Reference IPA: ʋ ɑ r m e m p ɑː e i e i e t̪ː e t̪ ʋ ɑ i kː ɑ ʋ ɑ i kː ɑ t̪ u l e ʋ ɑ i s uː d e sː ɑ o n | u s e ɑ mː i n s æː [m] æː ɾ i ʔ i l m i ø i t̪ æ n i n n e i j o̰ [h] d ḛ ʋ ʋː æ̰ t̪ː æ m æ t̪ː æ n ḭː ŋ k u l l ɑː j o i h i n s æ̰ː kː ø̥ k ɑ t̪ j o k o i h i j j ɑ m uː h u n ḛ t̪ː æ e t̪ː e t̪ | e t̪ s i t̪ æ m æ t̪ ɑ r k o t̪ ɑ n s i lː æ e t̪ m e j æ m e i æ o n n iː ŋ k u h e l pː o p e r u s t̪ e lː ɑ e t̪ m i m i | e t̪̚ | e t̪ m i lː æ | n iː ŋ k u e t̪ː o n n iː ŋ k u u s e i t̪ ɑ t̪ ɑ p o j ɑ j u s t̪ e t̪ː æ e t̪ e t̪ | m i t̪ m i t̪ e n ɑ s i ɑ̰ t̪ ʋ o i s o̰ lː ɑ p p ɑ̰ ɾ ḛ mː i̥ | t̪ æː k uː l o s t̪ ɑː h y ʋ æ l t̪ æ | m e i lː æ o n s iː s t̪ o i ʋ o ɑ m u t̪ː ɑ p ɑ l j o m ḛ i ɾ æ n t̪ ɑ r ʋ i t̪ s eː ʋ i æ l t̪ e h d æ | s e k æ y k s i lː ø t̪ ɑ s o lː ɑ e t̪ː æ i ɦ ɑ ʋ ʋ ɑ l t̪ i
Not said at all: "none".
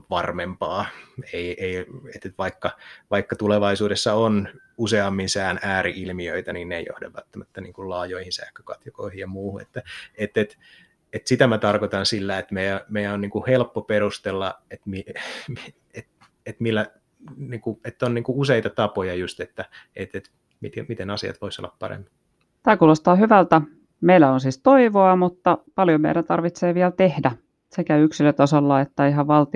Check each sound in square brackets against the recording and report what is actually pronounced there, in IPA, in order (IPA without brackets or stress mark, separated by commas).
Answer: n, h